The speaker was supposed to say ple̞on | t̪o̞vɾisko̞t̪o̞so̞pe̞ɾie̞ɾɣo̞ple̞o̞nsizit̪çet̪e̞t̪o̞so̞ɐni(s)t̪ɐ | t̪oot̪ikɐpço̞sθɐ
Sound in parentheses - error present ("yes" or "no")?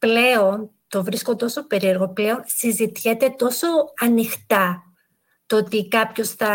yes